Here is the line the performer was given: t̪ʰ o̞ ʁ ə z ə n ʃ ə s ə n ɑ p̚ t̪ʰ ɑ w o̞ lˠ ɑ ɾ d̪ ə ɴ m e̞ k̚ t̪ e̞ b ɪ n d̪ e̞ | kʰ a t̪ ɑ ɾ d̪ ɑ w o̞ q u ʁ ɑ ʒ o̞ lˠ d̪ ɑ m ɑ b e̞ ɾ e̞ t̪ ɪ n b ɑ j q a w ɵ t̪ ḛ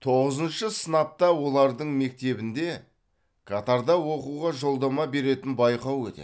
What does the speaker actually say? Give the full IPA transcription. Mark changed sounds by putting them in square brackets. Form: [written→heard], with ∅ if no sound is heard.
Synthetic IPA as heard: t̪ʰ o̞ ʁ ə z ə n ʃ ə s ə n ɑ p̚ [t̪ʰ→t̪] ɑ w o̞ lˠ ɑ ɾ d̪ ə ɴ m e̞ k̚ t̪ e̞ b ɪ n d̪ e̞ | kʰ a t̪ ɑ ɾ d̪ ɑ w o̞ q u ʁ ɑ ʒ o̞ lˠ d̪ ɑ m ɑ b e̞ ɾ e̞ t̪ ɪ n b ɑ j q [a→ɑ] w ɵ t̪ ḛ